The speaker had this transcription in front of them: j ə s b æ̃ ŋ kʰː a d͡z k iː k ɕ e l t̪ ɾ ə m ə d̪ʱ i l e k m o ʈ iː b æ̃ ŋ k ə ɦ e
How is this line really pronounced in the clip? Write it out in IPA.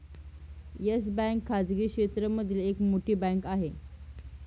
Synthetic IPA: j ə s b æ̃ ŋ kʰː a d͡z ɡ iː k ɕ e t̪ ɾ ə m ə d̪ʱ i l e k m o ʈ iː b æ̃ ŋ k a ɦ e